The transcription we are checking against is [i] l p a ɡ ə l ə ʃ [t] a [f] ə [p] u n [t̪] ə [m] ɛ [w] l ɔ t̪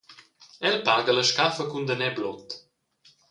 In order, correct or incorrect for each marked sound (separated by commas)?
incorrect, incorrect, correct, incorrect, incorrect, incorrect, incorrect